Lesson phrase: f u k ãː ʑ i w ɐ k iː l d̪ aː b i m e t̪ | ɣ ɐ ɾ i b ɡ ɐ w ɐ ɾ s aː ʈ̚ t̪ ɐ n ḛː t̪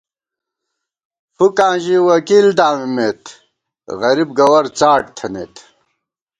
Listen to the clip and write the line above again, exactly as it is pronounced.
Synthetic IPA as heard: f u k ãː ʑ i w ɐ k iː l d̪ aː m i m e t̪ | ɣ ɐ ɾ i b ɡ ɐ w ɐ ɾ t͡s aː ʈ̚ t̪ʰ ɐ n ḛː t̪